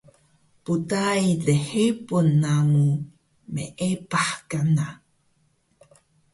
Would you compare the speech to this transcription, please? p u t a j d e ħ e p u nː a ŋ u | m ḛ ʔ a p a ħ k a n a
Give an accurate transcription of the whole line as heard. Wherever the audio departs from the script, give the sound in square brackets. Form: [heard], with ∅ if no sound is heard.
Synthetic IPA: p u t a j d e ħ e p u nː a ŋ u | m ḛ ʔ [e] p a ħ k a n a